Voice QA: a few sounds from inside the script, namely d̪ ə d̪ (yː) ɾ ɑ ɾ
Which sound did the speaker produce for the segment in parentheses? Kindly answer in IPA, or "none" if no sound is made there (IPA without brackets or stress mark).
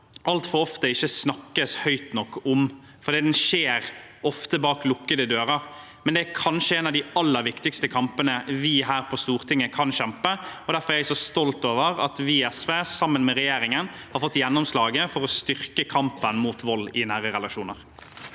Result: øː